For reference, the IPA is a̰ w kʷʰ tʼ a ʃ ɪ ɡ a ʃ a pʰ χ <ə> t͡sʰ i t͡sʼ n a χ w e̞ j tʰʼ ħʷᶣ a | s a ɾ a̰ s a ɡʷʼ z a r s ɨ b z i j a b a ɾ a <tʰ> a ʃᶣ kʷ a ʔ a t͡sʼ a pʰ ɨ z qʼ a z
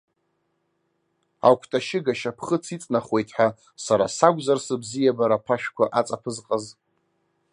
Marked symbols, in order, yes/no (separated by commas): yes, no